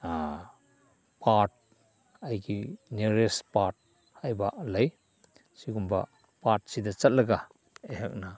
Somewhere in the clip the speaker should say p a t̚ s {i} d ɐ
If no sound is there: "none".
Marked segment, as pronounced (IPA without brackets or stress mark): i